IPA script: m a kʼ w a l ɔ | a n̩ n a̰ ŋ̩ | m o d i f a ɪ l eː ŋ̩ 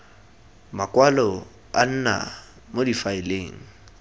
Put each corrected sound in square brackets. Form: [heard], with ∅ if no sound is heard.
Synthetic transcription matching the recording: m a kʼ w a l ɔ | a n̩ n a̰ [∅] | m o d i f a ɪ l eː ŋ̩